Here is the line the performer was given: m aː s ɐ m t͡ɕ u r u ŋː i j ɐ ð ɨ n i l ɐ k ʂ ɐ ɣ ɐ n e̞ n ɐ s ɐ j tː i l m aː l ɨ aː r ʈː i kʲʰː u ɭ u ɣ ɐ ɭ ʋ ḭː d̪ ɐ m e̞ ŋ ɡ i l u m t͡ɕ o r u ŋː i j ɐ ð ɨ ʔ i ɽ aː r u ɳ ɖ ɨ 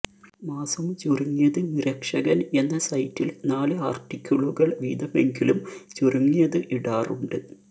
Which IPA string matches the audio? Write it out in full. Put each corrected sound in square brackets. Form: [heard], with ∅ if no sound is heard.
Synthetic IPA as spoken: m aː s ɐ m t͡ɕ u r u ŋː i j ɐ ð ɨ n i [ɾ] ɐ k ʂ ɐ ɣ ɐ n e̞ [nː] ɐ s ɐ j tː i l [n] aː l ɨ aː r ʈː i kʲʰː u ɭ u ɣ ɐ ɭ ʋ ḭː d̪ ɐ m e̞ ŋ ɡ i l u m t͡ɕ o r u ŋː i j ɐ ð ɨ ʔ i ɽ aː r u ɳ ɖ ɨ